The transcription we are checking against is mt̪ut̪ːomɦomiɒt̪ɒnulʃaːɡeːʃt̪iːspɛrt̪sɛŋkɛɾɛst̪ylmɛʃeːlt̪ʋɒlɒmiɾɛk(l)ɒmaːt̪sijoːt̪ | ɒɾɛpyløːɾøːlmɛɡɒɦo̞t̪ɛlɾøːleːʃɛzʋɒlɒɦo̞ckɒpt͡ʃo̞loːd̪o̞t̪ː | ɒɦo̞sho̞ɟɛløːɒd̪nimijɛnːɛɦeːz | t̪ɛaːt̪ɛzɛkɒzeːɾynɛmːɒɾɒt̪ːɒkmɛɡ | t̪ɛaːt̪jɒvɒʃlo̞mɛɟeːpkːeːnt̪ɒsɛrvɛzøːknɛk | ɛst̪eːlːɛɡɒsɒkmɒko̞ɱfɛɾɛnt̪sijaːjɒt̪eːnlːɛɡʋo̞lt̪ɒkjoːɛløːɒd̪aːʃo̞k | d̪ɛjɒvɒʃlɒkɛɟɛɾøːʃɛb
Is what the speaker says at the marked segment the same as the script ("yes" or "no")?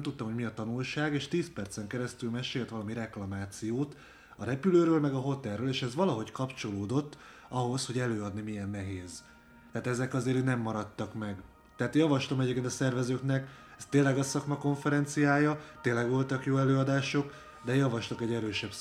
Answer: yes